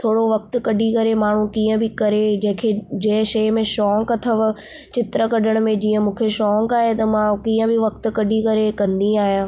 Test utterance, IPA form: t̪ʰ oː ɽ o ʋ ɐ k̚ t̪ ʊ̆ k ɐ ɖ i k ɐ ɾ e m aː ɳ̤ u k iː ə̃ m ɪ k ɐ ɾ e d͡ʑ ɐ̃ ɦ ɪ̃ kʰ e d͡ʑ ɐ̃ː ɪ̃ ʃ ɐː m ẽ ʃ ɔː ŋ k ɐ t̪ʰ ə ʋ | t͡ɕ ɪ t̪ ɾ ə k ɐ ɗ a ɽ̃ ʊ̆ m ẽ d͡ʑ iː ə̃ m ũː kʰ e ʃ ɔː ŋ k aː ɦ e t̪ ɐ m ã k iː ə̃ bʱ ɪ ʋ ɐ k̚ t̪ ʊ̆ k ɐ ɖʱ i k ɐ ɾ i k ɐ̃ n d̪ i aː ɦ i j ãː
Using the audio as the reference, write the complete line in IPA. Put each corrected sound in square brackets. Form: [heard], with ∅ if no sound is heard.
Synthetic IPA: t̪ʰ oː ɽ o ʋ ɐ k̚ t̪ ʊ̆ k ɐ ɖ i k ɐ ɾ e m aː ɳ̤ u k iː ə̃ [b] ɪ k ɐ ɾ e d͡ʑ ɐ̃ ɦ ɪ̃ kʰ e d͡ʑ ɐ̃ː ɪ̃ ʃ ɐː m ẽ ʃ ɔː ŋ k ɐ t̪ʰ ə ʋ | t͡ɕ ɪ t̪ ɾ ə k ɐ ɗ [ə] ɽ̃ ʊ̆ m ẽ d͡ʑ iː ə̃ m ũː kʰ e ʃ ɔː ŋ k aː ɦ e t̪ ɐ m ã k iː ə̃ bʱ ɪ ʋ ɐ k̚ t̪ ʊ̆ k ɐ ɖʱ i k ɐ ɾ [e] k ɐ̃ n d̪ i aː ɦ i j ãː